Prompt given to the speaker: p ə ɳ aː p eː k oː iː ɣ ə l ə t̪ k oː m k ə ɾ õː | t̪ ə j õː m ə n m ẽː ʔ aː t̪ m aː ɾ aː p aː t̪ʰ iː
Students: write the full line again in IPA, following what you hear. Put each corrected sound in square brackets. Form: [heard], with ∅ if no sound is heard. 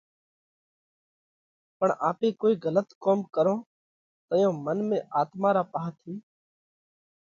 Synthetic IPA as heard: p ə ɳ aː p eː k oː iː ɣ ə l ə t̪ k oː m k ə ɾ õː | t̪ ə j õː m ə n m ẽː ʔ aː t̪ m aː ɾ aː p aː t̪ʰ iː

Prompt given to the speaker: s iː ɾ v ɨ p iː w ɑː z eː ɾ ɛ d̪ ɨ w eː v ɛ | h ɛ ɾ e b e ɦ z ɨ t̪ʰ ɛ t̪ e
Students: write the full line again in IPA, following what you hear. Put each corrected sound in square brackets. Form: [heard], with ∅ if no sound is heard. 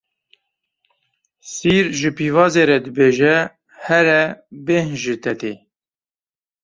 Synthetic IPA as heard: s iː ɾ [ʒ] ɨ p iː [v] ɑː z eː ɾ ɛ d̪ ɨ [b] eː [ʒ] ɛ | h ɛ ɾ [ɛ] b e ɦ [ʒ] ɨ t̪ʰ ɛ t̪ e

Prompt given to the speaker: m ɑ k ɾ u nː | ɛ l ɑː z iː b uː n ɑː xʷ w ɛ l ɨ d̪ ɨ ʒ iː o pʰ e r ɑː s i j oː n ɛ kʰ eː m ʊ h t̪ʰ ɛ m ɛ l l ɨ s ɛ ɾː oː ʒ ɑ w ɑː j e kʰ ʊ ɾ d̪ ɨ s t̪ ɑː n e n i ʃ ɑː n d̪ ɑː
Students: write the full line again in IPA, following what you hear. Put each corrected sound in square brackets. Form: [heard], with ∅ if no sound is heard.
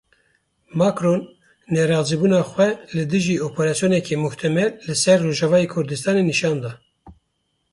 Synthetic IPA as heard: m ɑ k ɾ [o] nː | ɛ [ɾ] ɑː z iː b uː n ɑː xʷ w ɛ l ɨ d̪ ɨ ʒ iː o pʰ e [ɾ] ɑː s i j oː n ɛ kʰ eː m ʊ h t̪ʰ ɛ m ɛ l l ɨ s ɛ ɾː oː ʒ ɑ [v] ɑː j e kʰ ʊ ɾ d̪ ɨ s t̪ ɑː n e n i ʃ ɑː n d̪ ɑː

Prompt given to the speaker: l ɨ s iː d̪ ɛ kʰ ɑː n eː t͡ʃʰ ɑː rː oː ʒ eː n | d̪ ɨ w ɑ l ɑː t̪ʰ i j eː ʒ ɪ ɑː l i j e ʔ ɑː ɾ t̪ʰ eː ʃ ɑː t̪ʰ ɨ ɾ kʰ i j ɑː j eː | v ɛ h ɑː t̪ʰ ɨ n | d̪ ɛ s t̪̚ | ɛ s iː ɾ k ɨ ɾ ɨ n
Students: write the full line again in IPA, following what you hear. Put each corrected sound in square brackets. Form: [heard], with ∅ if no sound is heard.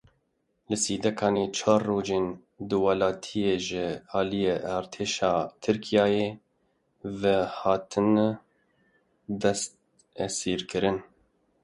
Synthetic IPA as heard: l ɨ s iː d̪ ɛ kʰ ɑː n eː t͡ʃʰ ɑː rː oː [d͡ʒ] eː n | d̪ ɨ w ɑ l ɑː t̪ʰ i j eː ʒ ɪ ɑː l i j e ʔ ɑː ɾ t̪ʰ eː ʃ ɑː t̪ʰ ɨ ɾ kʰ i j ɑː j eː | v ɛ h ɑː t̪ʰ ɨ n | d̪ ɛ s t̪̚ | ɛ s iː ɾ k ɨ ɾ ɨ n

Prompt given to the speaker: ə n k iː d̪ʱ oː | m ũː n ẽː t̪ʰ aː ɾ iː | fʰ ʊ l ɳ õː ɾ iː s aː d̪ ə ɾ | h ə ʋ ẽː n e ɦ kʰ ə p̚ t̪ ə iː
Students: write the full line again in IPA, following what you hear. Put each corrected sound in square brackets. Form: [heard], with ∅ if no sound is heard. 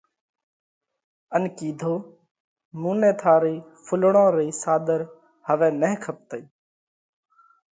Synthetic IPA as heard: ə n k iː d̪ʱ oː | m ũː n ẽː t̪ʰ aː ɾ iː | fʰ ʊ l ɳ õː ɾ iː s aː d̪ ə ɾ | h ə ʋ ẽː n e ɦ kʰ ə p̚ t̪ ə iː

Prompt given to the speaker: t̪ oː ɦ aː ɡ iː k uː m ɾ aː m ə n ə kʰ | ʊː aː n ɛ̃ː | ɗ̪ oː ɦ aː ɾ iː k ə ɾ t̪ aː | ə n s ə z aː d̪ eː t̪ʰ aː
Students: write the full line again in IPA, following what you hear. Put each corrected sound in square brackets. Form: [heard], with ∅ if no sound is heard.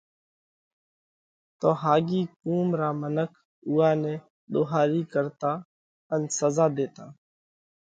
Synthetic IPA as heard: t̪ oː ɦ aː ɡ iː k uː m ɾ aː m ə n ə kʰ | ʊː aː n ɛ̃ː | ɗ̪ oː ɦ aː ɾ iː k ə ɾ t̪ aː | ə n s ə z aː d̪ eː [t̪] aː

